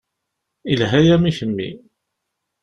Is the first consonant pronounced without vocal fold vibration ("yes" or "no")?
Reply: no